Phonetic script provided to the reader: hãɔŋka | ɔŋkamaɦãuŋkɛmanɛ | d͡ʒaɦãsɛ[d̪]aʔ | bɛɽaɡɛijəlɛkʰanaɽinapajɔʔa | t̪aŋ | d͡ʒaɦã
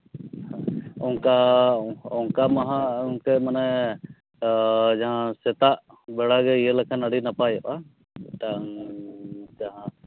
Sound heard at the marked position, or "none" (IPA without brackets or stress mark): t̪